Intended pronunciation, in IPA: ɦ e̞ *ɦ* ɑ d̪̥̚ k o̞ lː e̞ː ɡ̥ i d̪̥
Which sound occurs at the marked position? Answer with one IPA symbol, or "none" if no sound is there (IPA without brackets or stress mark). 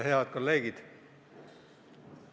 none